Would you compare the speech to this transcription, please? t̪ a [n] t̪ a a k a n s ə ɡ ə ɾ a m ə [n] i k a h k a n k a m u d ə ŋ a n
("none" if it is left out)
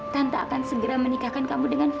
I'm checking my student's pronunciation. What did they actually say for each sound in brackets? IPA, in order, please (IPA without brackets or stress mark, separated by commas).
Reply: n, n